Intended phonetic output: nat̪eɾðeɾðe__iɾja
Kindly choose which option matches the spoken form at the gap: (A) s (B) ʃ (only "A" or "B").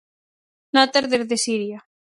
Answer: A